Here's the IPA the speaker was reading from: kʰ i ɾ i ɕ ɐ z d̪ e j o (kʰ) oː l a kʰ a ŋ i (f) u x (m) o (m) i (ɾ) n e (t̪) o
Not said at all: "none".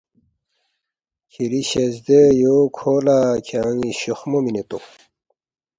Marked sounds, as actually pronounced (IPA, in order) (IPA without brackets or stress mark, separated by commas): kʰ, ɕ, m, m, none, t̪